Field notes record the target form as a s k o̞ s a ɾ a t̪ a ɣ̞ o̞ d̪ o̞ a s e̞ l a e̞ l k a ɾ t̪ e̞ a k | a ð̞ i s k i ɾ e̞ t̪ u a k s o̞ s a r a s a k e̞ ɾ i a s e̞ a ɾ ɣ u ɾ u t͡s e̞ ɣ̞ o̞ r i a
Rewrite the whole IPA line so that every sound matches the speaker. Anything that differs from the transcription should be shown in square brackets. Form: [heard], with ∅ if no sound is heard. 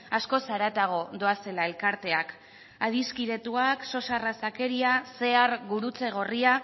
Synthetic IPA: a s k o̞ s a ɾ a t̪ a ɣ̞ o̞ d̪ o̞ a s e̞ l a e̞ l k a ɾ t̪ e̞ a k | a ð̞ i s k i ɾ e̞ t̪ u a k s o̞ s a r a s a k e̞ ɾ i a s e̞ a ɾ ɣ u ɾ u t͡s e̞ ɣ̞ o̞ r i a